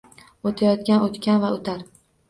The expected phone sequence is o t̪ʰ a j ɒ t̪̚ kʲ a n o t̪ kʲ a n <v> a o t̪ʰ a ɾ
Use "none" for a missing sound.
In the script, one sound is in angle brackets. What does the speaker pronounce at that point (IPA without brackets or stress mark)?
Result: v